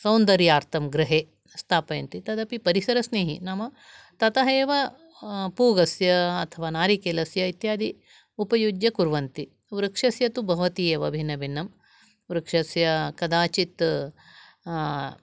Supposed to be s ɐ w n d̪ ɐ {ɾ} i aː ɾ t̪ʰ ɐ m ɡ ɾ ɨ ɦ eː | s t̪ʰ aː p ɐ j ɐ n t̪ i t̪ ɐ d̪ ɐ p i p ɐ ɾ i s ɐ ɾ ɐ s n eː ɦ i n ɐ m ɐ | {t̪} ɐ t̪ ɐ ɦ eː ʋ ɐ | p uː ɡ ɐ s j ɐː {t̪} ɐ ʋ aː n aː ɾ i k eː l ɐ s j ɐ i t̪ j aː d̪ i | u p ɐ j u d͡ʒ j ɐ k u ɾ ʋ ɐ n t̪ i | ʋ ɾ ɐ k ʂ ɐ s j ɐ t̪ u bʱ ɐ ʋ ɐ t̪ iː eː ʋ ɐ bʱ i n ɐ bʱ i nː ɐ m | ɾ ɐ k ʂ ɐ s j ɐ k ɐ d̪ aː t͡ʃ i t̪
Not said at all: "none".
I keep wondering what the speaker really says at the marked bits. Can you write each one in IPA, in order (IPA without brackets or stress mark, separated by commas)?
ɾ, t̪, t̪ʰ